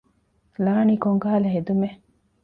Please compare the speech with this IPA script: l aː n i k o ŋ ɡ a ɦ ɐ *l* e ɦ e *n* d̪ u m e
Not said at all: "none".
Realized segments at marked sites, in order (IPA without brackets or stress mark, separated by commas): l, none